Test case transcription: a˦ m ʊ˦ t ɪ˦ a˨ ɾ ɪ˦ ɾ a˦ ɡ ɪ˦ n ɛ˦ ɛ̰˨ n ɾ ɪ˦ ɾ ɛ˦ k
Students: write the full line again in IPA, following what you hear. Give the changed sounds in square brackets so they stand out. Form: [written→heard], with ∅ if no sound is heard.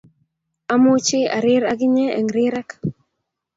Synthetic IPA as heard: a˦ m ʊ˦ [t→t͡ʃ] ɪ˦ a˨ ɾ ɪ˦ ɾ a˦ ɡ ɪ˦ [n→ɲ] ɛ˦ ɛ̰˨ [n→ŋ] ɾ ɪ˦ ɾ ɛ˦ k